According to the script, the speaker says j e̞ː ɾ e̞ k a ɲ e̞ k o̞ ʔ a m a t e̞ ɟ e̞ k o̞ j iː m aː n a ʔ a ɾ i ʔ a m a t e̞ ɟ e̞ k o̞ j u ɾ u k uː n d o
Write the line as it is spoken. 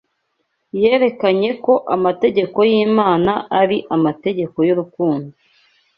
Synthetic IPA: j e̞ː ɾ e̞ k a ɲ e̞ k o̞ ʔ a m a t e̞ ɟ e̞ k o̞ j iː m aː n a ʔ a ɾ i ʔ a m a t e̞ ɟ e̞ k o̞ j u ɾ u k uː n d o